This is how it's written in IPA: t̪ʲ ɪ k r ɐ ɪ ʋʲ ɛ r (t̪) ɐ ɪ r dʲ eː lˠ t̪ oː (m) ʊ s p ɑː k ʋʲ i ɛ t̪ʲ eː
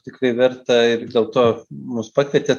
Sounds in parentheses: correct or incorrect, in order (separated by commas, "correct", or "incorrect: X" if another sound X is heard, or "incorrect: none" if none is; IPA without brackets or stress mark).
correct, correct